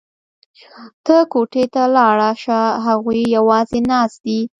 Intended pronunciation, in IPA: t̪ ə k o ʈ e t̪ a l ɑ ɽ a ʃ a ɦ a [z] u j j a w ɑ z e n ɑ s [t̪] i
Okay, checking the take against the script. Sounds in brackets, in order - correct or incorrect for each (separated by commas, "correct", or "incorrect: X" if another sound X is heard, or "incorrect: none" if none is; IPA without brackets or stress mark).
incorrect: ɣ, incorrect: d̪